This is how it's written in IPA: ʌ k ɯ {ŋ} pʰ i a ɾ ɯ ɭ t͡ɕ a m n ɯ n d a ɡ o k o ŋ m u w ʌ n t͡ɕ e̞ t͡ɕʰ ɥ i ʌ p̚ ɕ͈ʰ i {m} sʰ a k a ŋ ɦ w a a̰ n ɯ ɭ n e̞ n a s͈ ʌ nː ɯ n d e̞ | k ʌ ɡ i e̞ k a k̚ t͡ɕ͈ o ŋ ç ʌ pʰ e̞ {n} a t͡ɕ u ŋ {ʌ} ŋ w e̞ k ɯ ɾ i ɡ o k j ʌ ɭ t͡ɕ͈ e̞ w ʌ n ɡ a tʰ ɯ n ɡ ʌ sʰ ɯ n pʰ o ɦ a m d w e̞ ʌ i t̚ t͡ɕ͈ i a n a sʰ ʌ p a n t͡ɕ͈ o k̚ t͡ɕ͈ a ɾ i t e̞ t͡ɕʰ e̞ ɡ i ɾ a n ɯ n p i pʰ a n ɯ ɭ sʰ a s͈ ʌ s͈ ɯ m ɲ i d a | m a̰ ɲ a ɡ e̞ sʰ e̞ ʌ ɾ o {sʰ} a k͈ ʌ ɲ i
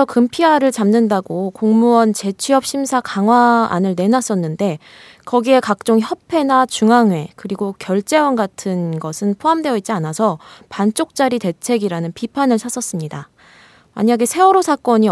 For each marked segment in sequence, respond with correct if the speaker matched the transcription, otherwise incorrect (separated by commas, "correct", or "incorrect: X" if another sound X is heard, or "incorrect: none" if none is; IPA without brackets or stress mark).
incorrect: m, correct, correct, incorrect: a, correct